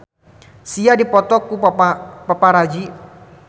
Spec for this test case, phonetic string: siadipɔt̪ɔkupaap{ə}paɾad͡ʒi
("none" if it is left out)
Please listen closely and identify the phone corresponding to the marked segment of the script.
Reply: a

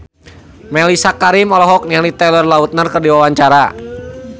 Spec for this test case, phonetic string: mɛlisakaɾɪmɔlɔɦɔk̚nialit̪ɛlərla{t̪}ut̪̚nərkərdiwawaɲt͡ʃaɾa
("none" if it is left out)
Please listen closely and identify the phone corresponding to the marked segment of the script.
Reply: none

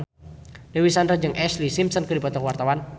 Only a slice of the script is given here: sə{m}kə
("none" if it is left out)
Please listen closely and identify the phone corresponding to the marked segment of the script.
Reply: n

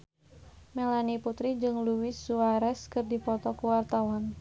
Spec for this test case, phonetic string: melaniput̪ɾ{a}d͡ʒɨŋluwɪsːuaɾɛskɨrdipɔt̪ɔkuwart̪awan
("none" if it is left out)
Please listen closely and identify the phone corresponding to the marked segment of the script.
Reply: i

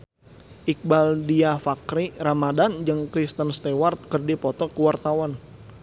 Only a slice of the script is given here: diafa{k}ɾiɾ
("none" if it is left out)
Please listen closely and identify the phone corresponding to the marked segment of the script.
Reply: k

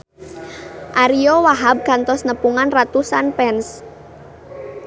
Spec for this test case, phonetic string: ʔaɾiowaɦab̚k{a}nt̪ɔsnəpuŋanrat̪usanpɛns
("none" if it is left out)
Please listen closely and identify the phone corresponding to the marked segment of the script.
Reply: a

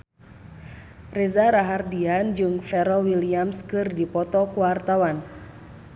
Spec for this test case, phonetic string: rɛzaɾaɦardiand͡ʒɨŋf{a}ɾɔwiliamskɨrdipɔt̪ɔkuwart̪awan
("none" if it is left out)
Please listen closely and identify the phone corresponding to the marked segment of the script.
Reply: ɛ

